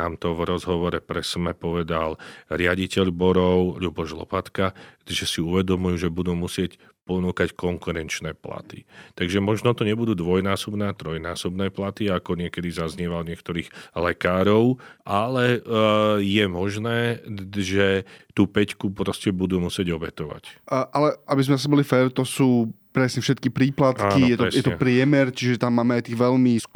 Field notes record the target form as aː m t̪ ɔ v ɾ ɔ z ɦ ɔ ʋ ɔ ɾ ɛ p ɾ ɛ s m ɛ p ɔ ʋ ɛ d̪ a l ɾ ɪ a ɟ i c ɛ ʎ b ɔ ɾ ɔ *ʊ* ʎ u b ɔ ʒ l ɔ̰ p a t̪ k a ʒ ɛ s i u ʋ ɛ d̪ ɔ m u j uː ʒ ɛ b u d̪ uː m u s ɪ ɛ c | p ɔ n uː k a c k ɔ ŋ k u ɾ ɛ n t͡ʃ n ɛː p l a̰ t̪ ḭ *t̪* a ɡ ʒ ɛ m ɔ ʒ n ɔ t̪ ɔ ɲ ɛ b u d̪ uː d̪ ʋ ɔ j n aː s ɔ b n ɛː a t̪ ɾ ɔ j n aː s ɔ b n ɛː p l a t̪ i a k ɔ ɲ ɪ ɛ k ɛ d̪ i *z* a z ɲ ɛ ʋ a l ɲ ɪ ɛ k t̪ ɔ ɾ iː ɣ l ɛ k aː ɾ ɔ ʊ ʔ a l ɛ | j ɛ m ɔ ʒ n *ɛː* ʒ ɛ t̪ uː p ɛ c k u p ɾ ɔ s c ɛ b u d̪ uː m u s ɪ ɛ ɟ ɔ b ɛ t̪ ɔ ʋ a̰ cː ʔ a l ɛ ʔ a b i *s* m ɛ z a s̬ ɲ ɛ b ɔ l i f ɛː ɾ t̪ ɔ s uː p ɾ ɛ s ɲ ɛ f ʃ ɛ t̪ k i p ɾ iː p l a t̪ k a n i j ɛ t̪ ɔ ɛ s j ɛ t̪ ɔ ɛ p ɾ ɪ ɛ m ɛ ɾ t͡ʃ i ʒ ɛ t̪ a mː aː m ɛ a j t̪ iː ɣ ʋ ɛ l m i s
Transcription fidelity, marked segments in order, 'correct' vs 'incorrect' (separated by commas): correct, correct, correct, correct, incorrect